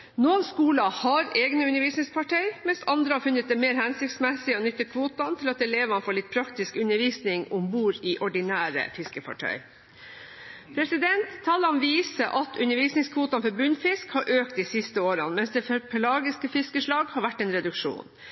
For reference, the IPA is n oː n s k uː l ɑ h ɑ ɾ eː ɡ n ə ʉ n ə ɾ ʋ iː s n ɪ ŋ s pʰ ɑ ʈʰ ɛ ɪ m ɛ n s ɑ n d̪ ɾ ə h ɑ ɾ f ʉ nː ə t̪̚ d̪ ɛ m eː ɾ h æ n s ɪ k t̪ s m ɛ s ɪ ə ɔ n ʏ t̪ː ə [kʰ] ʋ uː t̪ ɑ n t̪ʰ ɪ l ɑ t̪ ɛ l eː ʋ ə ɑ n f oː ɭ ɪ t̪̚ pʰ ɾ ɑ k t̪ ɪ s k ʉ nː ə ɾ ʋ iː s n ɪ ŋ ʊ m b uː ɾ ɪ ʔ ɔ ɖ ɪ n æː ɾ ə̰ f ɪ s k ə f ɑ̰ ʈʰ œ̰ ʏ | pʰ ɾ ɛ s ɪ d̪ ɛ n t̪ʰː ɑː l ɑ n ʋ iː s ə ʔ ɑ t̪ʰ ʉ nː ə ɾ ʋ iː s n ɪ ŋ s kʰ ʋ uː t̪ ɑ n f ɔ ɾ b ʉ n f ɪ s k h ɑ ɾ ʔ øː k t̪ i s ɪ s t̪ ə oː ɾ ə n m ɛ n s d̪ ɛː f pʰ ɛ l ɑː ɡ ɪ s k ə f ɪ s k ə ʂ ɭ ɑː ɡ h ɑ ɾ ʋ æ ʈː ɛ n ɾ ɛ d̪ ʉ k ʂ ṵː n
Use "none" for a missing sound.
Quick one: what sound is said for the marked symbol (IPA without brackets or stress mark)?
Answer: kʰ